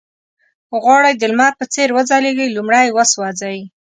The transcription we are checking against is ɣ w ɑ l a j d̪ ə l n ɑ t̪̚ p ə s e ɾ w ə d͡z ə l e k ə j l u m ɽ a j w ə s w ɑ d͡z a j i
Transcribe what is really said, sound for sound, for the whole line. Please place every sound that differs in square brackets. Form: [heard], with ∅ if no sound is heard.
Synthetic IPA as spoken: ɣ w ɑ [ɽ] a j d̪ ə l [m] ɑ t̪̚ p ə [t͡s] e ɾ w ə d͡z [ɑ] l e [ɡ] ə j l u m ɽ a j w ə s w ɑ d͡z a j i

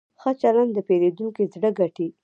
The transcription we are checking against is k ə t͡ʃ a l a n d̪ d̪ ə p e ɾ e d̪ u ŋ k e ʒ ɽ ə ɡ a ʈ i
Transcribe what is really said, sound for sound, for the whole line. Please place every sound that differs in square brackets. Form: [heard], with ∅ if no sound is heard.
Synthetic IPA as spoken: [x] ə t͡ʃ a l a n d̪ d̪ ə p e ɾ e d̪ u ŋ k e [z] ɽ ə ɡ a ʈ i

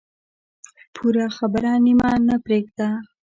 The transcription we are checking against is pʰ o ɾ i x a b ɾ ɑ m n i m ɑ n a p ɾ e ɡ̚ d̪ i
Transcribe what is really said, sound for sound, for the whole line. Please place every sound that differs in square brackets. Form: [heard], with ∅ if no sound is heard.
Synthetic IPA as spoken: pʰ [u] ɾ [a] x a b ɾ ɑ [∅] n i m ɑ n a p ɾ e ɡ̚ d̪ [a]

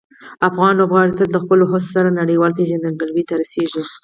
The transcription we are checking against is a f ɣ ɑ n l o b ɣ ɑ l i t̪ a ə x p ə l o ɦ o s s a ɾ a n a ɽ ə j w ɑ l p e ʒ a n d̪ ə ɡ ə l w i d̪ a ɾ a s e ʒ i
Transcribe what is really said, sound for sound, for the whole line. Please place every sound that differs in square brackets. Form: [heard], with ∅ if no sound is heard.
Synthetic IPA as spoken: a f ɣ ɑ n l o b ɣ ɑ [ɽ] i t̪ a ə x p ə l o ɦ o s s a ɾ a n a ɽ ə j w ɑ l p e ʒ a n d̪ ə ɡ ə l w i [t̪] a ɾ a s e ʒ i

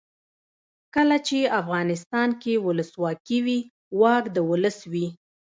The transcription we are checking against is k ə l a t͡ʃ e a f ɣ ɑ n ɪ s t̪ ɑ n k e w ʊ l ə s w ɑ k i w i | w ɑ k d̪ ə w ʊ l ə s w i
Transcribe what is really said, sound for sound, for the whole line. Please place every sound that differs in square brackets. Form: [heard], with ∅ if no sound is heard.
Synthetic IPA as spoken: k ə l a t͡ʃ e a f ɣ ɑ n ɪ s t̪ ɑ n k e w ʊ l ə s w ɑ k i w i | w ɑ k d̪ ə w ʊ l ə s w i

